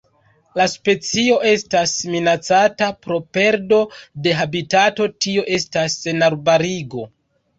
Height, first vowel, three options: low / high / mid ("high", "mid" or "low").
low